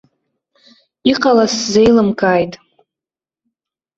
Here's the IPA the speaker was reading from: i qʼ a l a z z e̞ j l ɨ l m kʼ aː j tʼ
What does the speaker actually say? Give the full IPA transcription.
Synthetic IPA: i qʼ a l a s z e̞ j l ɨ m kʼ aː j tʼ

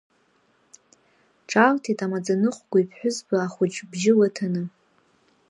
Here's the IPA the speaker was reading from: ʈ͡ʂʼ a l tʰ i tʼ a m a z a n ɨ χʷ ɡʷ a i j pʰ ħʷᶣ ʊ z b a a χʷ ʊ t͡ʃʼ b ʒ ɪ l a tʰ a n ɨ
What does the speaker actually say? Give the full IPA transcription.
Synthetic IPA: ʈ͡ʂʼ a l tʰ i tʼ a m a d͡z a n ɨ χʷ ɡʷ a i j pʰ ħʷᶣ ʊ z b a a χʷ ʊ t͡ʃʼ b ʒ ɪ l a tʰ a n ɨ

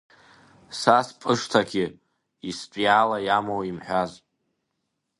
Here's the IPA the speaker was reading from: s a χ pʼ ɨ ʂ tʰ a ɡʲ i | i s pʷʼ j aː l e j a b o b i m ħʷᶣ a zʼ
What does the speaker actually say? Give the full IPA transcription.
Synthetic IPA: s a s pʼ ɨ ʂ tʰ a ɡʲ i | i s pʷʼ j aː l a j a m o w i m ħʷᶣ a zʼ

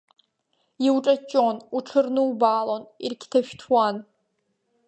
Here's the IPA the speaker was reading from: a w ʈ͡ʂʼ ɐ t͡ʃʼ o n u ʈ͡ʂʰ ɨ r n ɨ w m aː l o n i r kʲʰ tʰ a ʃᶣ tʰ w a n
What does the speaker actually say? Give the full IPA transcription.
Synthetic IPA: i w ʈ͡ʂʼ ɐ t͡ʃʼ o n u ʈ͡ʂʰ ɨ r n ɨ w b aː l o n i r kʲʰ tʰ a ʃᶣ tʰ w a n

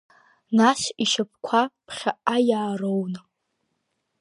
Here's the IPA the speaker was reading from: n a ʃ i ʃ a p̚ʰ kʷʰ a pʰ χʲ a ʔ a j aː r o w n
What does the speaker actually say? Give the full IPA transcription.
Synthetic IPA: n a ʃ i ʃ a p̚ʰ kʷʰ a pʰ χʲ a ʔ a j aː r o w n

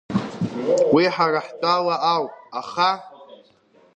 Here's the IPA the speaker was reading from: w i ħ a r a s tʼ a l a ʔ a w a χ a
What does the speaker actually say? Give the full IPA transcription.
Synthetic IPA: w i ħ a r a ħ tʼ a l a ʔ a w a χ a

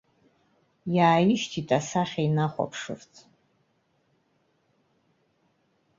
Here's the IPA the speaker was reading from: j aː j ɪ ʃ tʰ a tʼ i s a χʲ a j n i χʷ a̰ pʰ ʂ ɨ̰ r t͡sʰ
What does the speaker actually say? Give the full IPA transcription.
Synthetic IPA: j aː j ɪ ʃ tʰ i tʼ a s a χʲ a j n a χʷ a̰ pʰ ʂ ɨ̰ r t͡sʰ

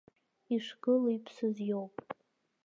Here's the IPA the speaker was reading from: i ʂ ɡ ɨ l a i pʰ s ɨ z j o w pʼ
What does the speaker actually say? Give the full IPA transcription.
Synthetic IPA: i ʂ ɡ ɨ l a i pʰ s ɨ z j o w pʼ

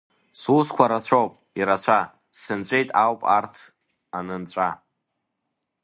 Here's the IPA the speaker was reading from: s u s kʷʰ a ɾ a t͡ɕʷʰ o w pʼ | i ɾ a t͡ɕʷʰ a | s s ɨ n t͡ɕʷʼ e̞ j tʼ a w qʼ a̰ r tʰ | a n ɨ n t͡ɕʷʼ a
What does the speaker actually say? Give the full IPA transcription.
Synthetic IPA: s u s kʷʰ a ɾ a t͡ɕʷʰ o w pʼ | i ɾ a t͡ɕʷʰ a | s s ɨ n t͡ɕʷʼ e̞ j tʼ a w pʼ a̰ r tʰ | a n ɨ n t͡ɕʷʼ a

